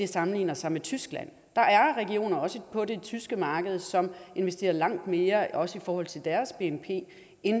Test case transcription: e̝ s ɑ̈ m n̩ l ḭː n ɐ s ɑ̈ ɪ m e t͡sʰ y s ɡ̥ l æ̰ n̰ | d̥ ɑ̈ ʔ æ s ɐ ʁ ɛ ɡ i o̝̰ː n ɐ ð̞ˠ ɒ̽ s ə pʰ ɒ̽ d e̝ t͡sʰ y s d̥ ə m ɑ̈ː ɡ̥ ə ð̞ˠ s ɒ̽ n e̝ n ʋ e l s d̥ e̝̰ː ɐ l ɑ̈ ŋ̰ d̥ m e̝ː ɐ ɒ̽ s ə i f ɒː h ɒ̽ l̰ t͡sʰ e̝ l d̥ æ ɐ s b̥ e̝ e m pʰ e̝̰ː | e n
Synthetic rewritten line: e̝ s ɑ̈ m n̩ l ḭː n ɐ s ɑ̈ ɪ m e t͡sʰ y s ɡ̥ l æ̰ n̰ | d̥ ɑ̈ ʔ æ ɐ ʁ ɛ ɡ i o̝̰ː n ɐ ɒ̽ s ə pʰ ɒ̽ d e̝ t͡sʰ y s ɡ̥ ə m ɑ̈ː ɡ̥ ə ð̞ˠ s ɒ̽ m e̝ n ʋ e s d̥ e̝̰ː ɐ l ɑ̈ ŋ̰ d̥ m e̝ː ɐ ɒ̽ s ə i f ɒː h ɒ̽ l̰ t͡sʰ e̝ l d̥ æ ɐ s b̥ e̝ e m pʰ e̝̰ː | e n